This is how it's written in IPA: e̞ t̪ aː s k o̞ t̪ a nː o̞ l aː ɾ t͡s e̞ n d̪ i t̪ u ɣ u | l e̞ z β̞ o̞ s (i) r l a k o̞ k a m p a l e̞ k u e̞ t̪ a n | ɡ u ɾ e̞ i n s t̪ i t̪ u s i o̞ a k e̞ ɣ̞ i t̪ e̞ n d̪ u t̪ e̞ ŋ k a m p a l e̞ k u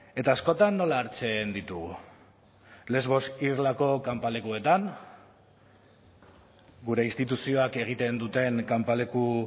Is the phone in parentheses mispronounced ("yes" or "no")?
no